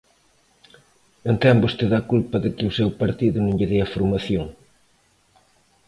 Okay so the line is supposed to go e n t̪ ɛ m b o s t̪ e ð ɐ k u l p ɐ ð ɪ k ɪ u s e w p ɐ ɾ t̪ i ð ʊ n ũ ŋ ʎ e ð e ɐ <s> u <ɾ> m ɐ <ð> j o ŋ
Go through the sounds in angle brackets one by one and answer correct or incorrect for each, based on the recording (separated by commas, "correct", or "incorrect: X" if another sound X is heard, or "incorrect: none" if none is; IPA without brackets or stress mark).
incorrect: f, correct, incorrect: θ